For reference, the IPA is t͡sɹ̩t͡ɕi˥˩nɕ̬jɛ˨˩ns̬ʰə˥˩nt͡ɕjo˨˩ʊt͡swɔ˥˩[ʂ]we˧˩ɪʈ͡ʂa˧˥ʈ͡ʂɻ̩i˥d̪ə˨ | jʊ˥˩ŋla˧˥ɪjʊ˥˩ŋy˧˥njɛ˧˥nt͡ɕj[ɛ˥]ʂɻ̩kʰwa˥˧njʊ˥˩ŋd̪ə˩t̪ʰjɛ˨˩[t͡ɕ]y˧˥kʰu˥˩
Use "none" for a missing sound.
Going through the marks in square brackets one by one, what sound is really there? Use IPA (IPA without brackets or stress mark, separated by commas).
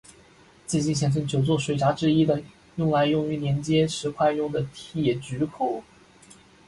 ʂ, ɛ˥, t͡ɕ